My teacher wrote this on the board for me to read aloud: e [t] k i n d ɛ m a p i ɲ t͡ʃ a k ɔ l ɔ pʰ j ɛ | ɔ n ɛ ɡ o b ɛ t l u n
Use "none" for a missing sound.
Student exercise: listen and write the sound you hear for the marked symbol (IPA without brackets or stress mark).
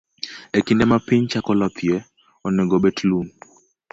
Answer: none